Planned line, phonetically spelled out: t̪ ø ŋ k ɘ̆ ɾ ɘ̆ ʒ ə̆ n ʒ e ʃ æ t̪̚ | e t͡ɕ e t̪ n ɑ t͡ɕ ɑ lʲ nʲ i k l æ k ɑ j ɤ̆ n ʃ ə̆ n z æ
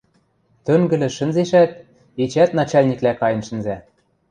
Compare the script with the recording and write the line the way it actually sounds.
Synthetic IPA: t̪ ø ŋ ɡ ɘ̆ l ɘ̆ ʃ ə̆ n z e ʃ æ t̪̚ | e t͡ɕ æ t̪ n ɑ t͡ɕ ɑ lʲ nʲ i k l æ k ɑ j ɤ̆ n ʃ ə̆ n z æ